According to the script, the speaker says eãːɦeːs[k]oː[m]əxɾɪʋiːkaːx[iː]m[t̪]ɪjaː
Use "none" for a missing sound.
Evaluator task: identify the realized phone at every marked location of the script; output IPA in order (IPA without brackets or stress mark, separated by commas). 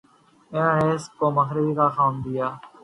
k, m, aː, d̪